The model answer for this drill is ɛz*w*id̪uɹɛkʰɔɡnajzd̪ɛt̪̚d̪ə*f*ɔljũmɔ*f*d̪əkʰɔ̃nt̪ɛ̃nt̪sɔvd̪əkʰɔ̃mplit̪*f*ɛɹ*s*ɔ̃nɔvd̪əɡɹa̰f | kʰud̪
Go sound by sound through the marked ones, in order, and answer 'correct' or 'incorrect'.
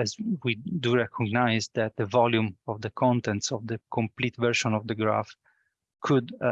correct, incorrect: v, incorrect: v, incorrect: v, incorrect: ʃ

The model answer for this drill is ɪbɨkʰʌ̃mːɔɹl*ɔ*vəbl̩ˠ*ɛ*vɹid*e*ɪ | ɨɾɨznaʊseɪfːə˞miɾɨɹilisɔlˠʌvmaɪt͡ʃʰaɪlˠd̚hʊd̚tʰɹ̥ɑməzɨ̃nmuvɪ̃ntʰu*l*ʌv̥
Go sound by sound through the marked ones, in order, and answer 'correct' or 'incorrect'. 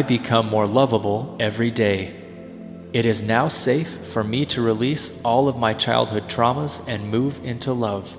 incorrect: ʌ, correct, correct, correct

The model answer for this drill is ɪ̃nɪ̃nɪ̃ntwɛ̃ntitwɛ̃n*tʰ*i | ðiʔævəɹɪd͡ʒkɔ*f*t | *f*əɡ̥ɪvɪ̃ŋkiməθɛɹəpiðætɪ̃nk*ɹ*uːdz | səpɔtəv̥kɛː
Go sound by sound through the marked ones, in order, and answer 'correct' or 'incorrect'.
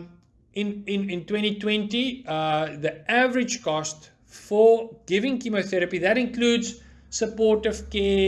incorrect: t, incorrect: s, correct, incorrect: l

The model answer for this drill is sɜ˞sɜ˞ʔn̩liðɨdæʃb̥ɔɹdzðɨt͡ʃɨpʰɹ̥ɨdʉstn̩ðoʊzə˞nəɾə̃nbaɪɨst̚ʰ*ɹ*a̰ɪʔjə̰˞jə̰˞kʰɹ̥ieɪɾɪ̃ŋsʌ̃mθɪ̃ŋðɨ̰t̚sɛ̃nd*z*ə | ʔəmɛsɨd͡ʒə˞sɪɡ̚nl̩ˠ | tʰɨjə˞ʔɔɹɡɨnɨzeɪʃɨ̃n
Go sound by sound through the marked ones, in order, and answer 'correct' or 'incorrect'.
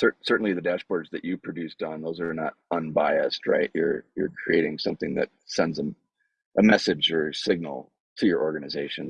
correct, correct

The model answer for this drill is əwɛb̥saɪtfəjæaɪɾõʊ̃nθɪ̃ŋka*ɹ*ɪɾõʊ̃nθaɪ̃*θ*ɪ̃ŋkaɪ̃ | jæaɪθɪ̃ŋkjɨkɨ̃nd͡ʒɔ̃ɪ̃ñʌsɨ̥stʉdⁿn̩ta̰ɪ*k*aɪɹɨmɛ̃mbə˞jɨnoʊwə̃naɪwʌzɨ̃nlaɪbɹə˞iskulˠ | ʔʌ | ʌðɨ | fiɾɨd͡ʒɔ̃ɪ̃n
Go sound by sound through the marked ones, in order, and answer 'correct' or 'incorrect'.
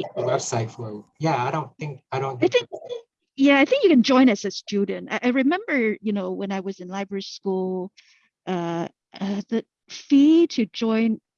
incorrect: none, correct, incorrect: ʔ

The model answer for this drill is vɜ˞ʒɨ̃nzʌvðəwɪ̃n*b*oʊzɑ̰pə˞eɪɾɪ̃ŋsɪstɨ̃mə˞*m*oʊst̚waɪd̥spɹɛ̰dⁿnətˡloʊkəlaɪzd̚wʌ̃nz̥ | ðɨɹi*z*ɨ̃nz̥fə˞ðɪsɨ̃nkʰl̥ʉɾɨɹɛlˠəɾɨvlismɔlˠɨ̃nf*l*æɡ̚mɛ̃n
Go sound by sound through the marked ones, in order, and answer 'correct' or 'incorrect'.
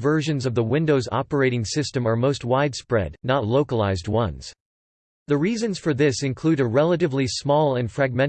incorrect: d, correct, correct, incorrect: ɹ

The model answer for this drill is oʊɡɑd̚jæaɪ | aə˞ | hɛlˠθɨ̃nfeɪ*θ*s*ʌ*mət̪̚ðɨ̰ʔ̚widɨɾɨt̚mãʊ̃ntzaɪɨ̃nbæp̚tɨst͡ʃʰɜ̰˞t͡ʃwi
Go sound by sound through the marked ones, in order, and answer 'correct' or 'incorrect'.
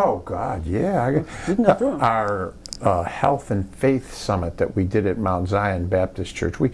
correct, correct

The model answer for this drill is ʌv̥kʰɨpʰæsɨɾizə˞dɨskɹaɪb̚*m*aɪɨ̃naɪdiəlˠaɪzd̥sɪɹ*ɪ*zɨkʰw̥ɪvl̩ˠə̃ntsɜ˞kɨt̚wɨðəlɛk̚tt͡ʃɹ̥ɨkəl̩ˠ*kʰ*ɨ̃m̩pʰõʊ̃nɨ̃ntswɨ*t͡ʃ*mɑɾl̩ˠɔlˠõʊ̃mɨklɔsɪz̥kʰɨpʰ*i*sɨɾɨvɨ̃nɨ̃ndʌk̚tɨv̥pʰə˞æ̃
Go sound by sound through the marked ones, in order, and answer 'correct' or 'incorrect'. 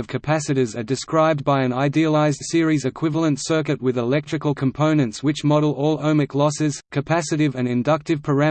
incorrect: b, incorrect: i, correct, correct, incorrect: æ

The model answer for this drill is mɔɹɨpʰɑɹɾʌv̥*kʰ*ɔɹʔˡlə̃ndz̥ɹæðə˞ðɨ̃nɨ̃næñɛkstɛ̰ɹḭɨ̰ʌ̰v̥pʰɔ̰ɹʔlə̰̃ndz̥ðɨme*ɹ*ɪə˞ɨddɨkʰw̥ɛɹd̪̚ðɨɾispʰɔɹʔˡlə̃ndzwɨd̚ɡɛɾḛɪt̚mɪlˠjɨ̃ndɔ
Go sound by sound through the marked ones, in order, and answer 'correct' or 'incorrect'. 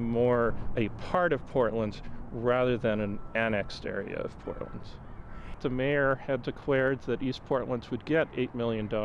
incorrect: pʰ, incorrect: none

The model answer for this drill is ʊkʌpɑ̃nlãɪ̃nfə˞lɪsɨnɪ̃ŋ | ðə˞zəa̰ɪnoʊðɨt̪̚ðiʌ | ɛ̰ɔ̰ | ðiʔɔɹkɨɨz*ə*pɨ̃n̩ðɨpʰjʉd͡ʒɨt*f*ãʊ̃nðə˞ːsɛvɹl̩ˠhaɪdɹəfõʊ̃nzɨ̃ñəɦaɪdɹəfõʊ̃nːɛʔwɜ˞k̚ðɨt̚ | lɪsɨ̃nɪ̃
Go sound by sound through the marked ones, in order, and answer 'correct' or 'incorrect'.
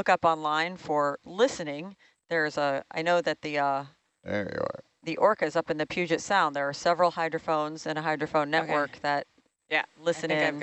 incorrect: ʌ, incorrect: s

